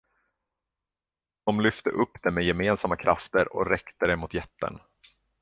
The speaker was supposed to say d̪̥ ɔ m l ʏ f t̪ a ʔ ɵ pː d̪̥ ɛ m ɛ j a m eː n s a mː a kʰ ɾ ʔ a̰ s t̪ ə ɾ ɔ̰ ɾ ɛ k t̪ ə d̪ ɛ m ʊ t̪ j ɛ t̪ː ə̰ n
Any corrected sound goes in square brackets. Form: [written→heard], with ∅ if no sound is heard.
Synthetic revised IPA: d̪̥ ɔ m l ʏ f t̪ [a→ə] ʔ ɵ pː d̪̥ ɛ m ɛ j [a→ɛ] m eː n s a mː a kʰ ɾ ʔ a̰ [s→f] t̪ ə ɾ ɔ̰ ɾ ɛ k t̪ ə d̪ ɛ m ʊ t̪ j ɛ t̪ː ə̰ n